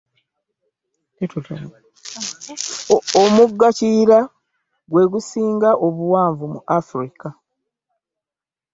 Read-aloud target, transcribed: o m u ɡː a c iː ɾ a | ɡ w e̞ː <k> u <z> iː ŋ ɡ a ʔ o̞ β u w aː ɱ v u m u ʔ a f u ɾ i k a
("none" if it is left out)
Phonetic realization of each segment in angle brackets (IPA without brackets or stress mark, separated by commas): ɡ, s